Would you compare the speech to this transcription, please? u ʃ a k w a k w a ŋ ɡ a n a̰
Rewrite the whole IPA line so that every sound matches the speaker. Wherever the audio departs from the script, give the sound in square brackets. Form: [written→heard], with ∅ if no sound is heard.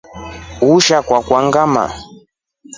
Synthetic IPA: u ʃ a k w a k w a ŋ ɡ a [n→m] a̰